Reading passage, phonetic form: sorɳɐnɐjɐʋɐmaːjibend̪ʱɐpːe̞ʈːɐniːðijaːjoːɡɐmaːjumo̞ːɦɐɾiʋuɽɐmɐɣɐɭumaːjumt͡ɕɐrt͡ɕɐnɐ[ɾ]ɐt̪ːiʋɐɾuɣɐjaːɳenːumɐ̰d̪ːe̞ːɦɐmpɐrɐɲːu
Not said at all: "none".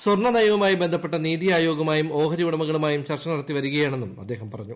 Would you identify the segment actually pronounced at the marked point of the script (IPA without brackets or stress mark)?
ɽ